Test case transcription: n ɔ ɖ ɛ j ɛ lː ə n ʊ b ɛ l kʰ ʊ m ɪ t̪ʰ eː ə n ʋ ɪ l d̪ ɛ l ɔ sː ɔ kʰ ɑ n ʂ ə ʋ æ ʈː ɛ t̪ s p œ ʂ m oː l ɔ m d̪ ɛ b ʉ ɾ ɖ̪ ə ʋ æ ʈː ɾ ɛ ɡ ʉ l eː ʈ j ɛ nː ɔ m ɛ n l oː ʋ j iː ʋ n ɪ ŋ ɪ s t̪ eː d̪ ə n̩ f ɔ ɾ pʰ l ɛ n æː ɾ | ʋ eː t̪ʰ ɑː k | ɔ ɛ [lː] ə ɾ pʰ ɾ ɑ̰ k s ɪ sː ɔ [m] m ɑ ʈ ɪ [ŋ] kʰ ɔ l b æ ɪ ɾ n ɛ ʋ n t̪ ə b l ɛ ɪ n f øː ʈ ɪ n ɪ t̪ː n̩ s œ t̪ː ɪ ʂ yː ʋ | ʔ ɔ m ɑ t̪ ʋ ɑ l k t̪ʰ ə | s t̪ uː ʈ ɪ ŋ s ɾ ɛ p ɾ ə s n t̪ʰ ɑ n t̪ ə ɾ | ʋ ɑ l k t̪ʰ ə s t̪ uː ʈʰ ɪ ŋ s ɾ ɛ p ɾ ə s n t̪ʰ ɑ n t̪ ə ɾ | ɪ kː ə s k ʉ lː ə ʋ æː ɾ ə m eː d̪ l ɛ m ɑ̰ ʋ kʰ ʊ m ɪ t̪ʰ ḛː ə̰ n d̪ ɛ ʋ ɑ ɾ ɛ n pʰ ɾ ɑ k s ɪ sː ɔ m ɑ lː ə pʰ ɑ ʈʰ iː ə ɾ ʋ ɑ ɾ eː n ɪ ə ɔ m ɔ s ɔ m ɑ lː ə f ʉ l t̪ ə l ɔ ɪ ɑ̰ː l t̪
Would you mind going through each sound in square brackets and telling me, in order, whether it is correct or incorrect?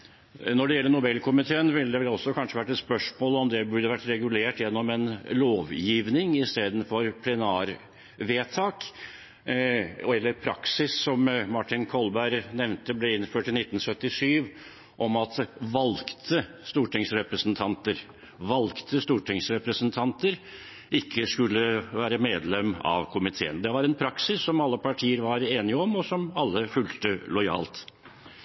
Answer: correct, correct, incorrect: n

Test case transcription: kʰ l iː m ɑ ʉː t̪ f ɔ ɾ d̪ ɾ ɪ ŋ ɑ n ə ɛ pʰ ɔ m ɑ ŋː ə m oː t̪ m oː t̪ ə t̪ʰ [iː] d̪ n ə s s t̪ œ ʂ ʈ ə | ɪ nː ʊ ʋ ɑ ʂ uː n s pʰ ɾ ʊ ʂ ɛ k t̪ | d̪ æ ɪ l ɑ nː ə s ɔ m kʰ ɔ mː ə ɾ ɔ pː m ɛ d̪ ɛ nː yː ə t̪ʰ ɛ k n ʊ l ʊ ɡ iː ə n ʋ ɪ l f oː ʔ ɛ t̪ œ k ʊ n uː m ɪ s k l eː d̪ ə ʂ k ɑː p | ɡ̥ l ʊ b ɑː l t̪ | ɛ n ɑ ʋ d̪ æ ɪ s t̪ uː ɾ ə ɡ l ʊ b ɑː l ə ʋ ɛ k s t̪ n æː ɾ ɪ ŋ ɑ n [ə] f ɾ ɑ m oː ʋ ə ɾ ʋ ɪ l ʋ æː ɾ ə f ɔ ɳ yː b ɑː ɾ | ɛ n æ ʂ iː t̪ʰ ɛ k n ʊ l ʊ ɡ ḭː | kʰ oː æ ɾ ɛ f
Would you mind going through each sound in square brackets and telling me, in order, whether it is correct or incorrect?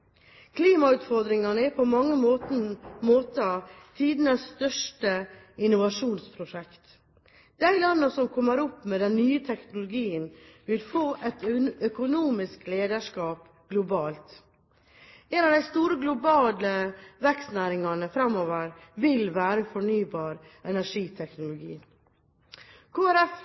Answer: correct, correct

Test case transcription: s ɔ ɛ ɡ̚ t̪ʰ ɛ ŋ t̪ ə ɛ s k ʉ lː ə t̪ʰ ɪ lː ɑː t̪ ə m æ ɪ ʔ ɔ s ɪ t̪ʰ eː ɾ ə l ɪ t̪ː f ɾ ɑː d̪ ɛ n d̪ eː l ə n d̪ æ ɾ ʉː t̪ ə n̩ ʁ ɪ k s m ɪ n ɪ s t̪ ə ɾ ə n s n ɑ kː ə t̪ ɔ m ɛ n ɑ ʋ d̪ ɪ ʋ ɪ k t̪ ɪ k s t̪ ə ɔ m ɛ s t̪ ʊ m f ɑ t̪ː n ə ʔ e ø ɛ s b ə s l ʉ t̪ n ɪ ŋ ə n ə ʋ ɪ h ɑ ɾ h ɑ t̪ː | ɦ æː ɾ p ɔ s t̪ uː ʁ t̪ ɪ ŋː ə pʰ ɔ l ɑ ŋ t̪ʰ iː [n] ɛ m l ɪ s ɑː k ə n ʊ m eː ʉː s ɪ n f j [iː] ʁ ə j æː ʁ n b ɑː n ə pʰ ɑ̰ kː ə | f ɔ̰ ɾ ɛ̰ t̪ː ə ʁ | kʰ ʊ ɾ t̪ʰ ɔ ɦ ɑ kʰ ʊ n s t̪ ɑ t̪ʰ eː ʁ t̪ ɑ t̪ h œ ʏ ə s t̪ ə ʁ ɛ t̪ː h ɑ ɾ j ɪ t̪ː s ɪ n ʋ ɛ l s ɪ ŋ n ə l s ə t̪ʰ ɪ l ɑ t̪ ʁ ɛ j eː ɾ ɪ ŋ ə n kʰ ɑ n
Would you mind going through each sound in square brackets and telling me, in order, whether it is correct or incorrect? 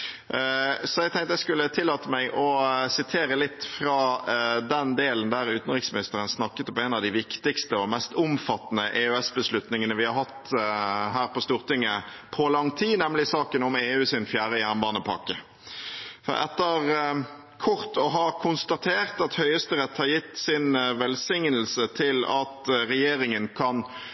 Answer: correct, incorrect: æː

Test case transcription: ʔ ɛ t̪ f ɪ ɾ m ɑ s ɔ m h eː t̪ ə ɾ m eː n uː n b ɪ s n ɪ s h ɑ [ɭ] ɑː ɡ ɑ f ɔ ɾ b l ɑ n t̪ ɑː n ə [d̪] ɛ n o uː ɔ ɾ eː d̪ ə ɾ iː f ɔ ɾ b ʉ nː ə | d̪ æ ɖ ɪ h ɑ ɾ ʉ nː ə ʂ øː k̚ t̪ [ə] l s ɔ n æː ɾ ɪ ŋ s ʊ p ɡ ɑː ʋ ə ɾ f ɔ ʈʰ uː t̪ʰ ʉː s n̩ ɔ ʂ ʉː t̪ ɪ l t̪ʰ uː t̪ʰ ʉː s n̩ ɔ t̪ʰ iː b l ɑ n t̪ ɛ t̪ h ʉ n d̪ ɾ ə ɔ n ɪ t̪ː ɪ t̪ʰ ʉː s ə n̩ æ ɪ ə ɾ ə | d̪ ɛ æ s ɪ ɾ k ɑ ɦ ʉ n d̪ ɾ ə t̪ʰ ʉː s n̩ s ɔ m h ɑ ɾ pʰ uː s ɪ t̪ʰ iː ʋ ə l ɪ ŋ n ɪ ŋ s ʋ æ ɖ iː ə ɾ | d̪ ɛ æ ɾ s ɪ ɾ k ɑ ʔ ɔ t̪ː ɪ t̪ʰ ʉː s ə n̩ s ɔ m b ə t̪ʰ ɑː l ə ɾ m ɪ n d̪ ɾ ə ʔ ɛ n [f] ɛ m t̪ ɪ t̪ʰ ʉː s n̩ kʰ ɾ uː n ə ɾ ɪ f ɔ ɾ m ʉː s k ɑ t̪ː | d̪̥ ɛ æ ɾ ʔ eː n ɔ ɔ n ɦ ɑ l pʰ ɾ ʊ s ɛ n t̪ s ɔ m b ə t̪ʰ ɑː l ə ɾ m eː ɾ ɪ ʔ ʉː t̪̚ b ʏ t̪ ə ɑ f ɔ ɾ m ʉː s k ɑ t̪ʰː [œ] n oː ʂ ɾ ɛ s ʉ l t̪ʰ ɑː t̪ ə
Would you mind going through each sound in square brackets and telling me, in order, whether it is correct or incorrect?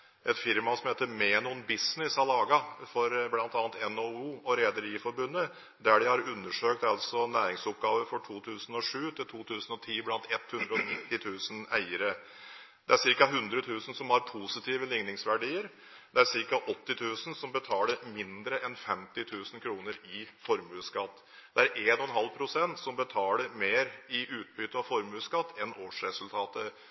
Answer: incorrect: l, incorrect: t̪, incorrect: ɑ, correct, incorrect: ɛ

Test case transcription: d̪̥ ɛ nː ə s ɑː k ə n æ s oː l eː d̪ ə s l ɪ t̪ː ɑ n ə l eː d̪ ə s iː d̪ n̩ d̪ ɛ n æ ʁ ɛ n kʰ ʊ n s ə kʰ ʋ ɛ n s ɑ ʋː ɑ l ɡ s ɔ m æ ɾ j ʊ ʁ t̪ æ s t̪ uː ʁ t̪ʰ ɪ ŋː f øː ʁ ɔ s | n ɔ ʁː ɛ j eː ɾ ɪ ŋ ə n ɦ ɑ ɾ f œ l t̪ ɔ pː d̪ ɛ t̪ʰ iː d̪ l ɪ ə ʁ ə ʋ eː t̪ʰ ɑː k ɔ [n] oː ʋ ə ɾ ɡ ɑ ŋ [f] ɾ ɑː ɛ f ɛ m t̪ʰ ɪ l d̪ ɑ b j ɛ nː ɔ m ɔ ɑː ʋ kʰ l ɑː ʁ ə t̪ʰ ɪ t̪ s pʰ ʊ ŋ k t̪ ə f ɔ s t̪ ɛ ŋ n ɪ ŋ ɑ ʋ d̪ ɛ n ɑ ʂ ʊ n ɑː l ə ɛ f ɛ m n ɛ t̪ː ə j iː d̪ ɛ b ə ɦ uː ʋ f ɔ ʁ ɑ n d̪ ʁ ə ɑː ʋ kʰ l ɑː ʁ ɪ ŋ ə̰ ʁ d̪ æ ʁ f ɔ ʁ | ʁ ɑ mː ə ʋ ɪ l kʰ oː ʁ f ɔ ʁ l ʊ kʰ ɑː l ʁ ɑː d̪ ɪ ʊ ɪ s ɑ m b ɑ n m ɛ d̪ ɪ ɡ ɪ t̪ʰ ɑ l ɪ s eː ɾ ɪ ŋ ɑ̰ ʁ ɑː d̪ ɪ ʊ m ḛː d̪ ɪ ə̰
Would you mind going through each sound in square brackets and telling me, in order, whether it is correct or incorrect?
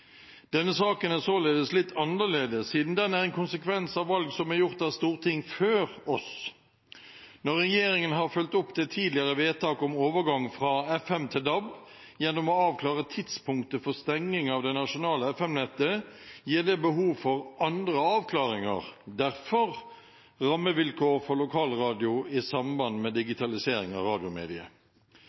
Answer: incorrect: m, correct

